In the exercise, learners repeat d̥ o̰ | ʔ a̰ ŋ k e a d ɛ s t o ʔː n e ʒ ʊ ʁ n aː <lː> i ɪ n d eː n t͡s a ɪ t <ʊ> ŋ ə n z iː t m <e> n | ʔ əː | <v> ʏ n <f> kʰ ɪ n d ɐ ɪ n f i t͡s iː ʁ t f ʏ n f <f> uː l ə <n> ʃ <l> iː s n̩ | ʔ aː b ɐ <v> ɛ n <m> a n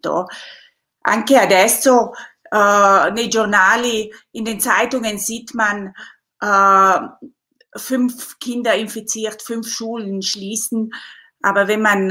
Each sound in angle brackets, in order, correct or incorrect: incorrect: l, correct, incorrect: a, incorrect: f, correct, incorrect: ʃ, correct, correct, correct, correct

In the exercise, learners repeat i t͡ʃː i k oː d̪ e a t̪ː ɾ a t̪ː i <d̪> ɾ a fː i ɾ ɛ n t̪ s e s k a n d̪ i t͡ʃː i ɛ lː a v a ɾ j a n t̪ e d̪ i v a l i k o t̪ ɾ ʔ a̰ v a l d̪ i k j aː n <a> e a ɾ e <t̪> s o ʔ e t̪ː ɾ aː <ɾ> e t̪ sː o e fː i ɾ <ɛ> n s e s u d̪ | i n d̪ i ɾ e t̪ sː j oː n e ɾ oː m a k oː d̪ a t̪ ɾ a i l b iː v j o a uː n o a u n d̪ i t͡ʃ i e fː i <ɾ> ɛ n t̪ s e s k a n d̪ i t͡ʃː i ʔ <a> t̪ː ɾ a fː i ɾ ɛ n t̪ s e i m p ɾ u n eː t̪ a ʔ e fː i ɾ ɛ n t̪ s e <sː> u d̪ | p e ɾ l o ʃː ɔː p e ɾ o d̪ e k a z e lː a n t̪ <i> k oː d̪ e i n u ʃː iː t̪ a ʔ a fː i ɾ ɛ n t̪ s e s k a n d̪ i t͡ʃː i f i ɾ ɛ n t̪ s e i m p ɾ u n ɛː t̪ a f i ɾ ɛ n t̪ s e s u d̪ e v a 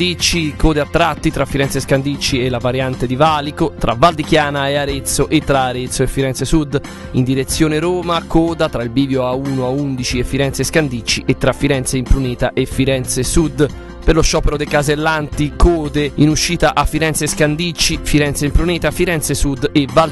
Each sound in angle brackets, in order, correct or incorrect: incorrect: t̪, correct, correct, correct, correct, correct, incorrect: e, incorrect: s, correct

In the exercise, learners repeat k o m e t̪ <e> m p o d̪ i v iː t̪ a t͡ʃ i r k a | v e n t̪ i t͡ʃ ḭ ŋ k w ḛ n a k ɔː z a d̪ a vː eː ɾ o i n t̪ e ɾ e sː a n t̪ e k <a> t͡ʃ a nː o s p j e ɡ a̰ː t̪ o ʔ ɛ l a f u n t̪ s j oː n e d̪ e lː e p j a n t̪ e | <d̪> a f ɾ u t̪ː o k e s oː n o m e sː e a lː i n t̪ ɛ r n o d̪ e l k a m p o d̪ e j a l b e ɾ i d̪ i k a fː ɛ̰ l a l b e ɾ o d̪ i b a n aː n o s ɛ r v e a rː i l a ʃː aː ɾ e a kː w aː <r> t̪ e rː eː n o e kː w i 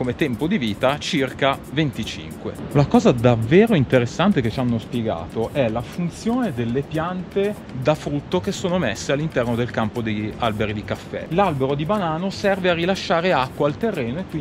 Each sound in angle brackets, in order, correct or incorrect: incorrect: ɛ, incorrect: e, correct, incorrect: l

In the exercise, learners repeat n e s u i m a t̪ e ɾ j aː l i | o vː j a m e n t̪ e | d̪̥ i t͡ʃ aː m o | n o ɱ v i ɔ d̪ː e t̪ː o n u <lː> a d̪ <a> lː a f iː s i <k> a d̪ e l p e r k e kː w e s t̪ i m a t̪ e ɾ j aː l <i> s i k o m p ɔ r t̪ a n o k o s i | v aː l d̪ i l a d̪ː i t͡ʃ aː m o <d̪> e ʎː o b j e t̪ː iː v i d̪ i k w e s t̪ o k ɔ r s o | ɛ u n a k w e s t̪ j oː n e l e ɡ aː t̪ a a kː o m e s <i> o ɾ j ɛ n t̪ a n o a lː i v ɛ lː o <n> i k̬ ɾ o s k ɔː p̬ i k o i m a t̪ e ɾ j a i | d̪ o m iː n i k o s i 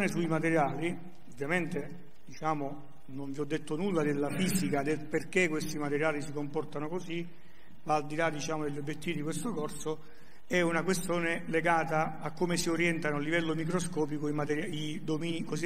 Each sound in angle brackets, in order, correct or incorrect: correct, incorrect: e, correct, correct, correct, correct, incorrect: m

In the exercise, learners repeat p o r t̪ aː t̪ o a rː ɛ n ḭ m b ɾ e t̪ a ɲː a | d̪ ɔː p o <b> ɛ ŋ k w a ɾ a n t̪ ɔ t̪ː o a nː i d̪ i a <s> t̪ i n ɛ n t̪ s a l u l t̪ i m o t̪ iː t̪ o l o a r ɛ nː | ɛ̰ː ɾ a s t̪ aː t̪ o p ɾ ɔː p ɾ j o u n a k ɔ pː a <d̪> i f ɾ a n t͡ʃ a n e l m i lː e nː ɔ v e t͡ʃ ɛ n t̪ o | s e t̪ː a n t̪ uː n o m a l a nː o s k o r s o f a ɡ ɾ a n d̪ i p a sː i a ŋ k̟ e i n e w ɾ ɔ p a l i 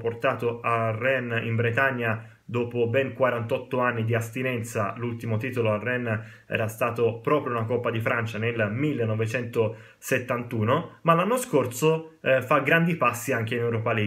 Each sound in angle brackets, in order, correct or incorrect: correct, correct, correct

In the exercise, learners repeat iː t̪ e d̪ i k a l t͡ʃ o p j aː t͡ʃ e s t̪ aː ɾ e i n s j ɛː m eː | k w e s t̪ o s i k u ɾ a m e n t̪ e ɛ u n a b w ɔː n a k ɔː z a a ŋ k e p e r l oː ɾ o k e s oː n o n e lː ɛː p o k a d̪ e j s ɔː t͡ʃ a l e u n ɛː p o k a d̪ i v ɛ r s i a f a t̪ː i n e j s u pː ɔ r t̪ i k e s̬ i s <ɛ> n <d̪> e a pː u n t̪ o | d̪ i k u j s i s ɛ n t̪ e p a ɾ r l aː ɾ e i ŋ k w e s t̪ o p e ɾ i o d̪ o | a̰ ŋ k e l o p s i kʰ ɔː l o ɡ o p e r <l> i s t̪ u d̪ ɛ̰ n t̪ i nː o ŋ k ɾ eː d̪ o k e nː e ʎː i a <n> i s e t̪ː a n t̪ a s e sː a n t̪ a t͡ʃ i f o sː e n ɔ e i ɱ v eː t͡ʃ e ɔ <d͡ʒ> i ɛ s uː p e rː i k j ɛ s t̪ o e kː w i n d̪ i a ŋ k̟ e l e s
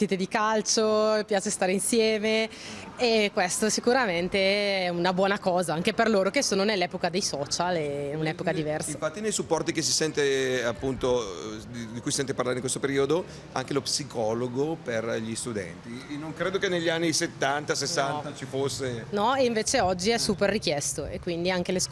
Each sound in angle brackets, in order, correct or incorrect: correct, incorrect: t̪, incorrect: ʎ, incorrect: nː, incorrect: d͡ʒː

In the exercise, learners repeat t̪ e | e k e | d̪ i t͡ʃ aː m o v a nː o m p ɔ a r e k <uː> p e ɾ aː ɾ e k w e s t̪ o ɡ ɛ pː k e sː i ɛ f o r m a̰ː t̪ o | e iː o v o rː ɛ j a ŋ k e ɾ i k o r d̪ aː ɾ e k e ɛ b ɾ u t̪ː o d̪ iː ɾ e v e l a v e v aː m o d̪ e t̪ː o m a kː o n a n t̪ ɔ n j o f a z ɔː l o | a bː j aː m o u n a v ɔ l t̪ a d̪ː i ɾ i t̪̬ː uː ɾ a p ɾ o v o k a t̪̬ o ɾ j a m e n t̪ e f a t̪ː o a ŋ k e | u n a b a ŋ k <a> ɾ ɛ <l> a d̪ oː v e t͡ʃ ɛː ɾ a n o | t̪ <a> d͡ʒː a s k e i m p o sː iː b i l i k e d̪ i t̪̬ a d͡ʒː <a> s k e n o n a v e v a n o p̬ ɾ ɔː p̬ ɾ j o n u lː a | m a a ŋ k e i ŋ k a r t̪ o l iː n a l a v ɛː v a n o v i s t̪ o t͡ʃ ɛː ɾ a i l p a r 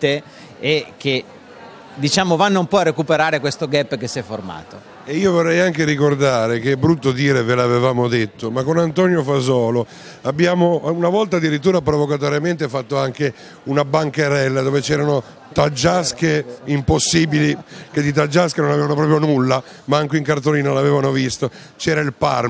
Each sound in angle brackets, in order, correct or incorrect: incorrect: u, incorrect: e, incorrect: lː, correct, correct

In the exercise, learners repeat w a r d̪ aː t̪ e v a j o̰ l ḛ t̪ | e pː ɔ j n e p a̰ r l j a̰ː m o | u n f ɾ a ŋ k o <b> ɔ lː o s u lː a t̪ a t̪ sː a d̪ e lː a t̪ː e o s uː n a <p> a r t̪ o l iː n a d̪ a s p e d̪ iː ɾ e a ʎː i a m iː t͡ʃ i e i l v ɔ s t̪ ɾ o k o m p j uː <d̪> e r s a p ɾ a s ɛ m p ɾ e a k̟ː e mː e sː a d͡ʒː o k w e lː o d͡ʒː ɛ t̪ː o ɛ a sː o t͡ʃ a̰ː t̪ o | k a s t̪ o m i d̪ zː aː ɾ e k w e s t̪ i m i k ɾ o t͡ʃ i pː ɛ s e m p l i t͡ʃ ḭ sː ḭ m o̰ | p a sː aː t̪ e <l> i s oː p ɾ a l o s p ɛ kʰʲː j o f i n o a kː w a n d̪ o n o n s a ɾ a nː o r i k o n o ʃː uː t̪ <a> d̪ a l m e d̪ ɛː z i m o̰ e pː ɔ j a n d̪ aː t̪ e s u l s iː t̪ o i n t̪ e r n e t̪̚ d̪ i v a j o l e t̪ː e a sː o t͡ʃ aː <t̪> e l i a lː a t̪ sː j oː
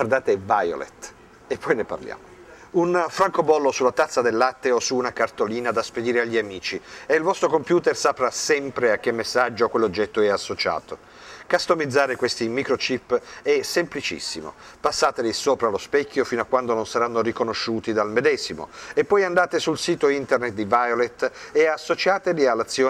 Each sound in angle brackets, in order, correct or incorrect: correct, incorrect: k, incorrect: t̪, correct, incorrect: i, correct

